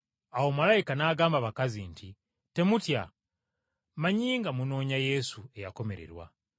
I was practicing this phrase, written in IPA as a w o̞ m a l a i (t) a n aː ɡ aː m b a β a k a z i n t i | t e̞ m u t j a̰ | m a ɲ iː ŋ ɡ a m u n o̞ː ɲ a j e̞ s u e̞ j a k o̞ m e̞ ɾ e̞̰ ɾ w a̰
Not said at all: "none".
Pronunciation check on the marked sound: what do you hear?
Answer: k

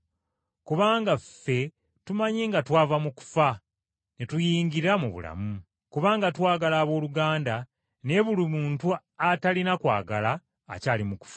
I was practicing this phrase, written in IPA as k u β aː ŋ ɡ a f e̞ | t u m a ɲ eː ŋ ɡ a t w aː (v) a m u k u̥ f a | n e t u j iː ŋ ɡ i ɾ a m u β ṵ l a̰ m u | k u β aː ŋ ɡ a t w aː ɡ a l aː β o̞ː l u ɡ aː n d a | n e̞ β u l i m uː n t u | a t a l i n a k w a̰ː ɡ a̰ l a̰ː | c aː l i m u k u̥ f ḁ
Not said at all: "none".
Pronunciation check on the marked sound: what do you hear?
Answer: v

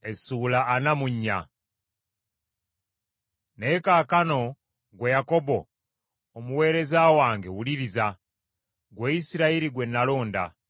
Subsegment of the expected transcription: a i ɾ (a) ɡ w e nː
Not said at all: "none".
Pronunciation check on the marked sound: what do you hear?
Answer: i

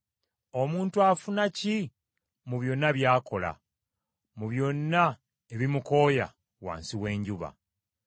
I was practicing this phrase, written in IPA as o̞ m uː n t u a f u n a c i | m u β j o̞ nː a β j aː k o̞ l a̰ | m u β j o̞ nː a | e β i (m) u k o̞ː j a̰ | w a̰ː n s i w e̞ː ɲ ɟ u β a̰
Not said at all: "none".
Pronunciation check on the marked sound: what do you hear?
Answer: m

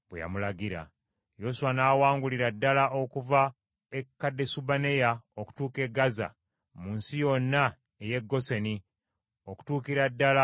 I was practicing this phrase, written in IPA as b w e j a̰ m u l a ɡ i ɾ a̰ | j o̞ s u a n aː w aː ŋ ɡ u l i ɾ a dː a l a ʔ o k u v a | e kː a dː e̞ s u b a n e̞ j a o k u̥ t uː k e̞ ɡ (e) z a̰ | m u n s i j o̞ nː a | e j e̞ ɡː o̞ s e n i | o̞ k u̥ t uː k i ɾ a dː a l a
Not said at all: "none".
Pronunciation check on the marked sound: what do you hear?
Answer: a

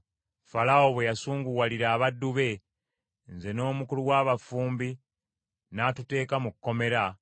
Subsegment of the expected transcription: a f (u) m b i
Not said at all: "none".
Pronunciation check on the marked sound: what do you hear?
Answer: uː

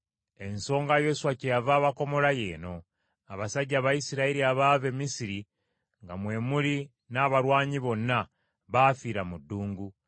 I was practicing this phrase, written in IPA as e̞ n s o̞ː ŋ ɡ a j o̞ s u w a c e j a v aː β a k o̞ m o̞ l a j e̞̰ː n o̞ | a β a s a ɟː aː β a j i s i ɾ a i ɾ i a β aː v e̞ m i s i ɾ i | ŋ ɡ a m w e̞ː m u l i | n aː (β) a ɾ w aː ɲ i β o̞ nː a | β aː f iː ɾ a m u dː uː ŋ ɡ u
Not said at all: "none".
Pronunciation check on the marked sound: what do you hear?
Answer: β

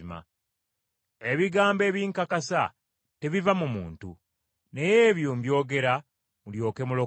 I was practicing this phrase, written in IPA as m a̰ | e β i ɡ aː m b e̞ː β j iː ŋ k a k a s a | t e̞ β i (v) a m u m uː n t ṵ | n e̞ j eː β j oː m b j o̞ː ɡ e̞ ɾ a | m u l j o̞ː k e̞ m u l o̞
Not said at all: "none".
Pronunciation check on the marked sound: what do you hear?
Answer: v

